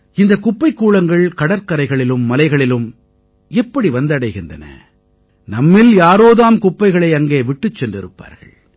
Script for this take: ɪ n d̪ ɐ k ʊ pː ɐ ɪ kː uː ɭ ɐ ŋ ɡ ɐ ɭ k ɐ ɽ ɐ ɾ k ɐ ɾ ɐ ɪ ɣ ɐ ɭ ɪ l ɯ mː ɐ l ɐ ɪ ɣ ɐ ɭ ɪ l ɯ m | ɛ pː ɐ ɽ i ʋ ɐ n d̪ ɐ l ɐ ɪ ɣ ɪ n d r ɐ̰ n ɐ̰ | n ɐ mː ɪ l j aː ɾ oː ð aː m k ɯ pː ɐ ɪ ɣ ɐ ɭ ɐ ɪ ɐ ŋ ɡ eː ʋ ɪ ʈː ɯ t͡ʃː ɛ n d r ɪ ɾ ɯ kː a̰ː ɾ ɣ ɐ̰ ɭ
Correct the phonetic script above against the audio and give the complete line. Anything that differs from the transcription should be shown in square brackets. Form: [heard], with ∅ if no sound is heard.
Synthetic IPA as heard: ɪ n d̪ ɐ k ʊ pː ɐ ɪ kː uː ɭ ɐ ŋ ɡ ɐ ɭ k ɐ ɽ ɐ ɾ k ɐ ɾ ɐ ɪ ɣ ɐ ɭ ɪ l ɯ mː ɐ l ɐ ɪ ɣ ɐ ɭ ɪ l ɯ m | ɛ pː ɐ ɽ i ʋ ɐ n d̪ ɐ [ɽ] ɐ ɪ ɣ ɪ n d r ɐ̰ n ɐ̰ | n ɐ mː ɪ l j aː ɾ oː ð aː m k [ʊ] pː ɐ ɪ ɣ ɐ ɭ ɐ ɪ ɐ ŋ ɡ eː ʋ ɪ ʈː ɯ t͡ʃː ɛ n d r ɪ ɾ ɯ [pː] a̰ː ɾ ɣ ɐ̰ ɭ